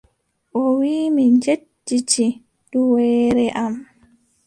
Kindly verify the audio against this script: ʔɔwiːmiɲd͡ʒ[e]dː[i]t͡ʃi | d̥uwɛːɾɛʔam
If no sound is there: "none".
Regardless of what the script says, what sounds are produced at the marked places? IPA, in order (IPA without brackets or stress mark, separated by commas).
e, i